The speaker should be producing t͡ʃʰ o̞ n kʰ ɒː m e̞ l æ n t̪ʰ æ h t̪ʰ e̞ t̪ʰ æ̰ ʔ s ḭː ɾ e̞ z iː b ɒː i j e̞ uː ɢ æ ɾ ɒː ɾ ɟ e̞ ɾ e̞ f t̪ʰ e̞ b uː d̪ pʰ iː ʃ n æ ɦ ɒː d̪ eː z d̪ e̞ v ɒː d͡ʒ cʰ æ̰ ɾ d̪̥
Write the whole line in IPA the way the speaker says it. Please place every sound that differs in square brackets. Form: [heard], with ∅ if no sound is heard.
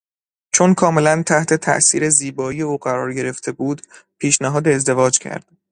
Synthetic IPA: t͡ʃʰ o̞ n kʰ ɒː m e̞ l æ n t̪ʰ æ h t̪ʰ e̞ t̪ʰ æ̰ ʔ s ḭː ɾ e̞ z iː b ɒː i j e̞ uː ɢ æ ɾ ɒː ɾ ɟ e̞ ɾ e̞ f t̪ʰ e̞ b uː d̪ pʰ iː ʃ n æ ɦ ɒː d̪ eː z d̪ e̞ v ɒː d͡ʒ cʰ æ̰ ɾ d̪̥

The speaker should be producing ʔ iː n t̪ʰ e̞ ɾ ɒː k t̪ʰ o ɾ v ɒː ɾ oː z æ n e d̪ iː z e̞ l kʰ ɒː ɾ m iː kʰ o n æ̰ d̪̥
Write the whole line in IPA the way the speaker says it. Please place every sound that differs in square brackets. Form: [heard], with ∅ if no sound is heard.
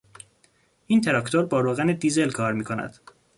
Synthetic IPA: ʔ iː n t̪ʰ e̞ ɾ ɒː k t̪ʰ o ɾ [b] ɒː ɾ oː [ɣ] æ n e d̪ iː z e̞ l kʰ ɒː ɾ m iː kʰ o n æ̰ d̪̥

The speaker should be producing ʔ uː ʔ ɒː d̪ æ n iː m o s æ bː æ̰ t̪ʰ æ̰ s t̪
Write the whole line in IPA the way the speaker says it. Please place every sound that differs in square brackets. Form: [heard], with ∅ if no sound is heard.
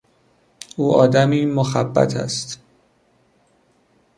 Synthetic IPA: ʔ uː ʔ ɒː d̪ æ [m] iː m o [x] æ bː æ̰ t̪ʰ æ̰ s t̪

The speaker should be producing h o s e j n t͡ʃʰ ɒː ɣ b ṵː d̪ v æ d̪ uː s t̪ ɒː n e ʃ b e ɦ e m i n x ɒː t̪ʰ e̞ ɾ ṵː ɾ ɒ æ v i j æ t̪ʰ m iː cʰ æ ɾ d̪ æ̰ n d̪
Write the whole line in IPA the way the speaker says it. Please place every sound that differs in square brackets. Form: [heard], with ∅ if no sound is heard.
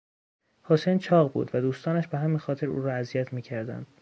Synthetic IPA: h o s e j n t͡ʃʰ ɒː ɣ b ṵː d̪ v æ d̪ uː s t̪ ɒː n [æ] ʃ b e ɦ [æ] m i n x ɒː t̪ʰ e̞ ɾ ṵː ɾ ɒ æ [z] i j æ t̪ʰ m iː cʰ æ ɾ d̪ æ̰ n d̪

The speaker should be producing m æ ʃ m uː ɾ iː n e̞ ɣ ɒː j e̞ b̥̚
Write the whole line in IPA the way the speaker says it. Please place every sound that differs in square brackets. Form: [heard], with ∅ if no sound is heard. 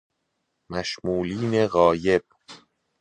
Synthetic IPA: m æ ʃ m uː [l] iː n e̞ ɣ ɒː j e̞ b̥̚

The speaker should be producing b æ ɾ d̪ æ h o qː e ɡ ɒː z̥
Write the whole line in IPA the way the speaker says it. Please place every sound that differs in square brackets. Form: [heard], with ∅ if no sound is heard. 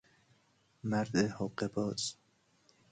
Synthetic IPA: [m] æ ɾ d̪ [e] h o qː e [b] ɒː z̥

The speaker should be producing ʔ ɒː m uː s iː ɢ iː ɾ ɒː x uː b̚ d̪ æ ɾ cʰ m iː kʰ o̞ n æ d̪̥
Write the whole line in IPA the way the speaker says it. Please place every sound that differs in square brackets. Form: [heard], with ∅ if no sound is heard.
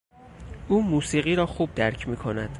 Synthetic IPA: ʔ [uː] m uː s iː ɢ iː ɾ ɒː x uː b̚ d̪ æ ɾ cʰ m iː kʰ o̞ n æ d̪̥

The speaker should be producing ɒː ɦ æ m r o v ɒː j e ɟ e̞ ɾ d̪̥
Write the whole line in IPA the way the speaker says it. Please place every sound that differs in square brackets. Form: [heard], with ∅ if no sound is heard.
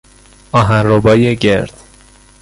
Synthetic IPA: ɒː ɦ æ [n] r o [b] ɒː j e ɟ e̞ ɾ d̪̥

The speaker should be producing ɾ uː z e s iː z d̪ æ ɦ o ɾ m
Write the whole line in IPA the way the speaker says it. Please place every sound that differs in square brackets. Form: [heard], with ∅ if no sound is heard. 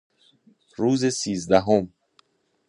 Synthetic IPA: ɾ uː z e s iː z d̪ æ ɦ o [∅] m

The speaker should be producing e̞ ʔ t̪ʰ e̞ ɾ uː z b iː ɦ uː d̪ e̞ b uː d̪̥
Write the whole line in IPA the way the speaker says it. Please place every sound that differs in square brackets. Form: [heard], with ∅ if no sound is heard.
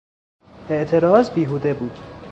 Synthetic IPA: e̞ ʔ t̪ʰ e̞ ɾ [ɒː] z b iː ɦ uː d̪ e̞ b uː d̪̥

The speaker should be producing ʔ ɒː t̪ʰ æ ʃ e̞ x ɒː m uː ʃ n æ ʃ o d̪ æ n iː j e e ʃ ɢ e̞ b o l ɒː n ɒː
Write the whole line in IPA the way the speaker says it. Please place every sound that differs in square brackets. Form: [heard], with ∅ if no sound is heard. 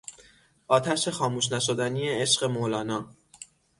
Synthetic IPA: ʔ ɒː t̪ʰ æ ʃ e̞ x ɒː m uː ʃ n æ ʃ o d̪ æ n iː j e e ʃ ɢ e̞ [m] o l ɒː n ɒː

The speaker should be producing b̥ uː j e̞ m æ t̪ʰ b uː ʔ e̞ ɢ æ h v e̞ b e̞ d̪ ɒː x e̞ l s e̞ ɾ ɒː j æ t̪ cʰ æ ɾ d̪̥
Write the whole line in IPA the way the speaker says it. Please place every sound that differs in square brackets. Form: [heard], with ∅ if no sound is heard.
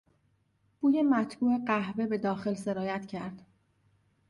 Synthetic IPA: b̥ uː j e̞ m æ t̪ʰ b uː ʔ e̞ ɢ æ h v e̞ b e̞ d̪ ɒː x e̞ l s e̞ ɾ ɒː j æ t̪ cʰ æ ɾ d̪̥

